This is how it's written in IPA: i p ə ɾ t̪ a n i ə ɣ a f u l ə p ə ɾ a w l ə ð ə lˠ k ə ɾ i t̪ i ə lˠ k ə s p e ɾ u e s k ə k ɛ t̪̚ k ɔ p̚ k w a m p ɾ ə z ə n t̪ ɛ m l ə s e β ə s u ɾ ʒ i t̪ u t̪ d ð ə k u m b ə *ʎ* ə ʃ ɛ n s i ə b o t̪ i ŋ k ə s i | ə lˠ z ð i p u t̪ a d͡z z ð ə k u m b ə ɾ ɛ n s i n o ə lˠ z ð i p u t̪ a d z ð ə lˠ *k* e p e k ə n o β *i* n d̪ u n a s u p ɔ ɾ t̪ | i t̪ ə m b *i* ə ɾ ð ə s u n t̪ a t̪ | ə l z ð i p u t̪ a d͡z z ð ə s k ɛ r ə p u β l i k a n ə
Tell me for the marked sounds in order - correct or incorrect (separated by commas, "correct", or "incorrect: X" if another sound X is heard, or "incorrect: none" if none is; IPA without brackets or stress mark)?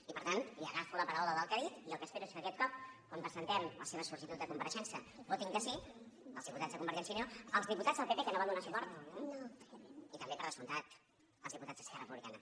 incorrect: ɾ, incorrect: p, incorrect: a, incorrect: e